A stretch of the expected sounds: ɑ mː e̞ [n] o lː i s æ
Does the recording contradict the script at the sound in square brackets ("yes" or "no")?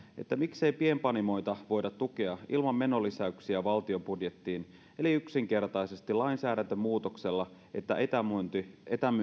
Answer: no